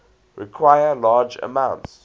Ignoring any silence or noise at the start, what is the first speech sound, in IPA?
ɹ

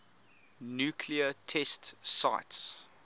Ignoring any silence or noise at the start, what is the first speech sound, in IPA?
n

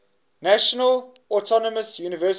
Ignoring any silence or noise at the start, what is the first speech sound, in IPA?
n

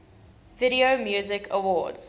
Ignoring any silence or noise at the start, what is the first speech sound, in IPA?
v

